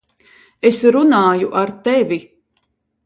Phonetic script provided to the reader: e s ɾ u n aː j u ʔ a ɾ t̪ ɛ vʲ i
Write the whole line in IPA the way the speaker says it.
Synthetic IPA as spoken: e s ɾ u n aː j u ʔ a ɾ t̪ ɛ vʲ i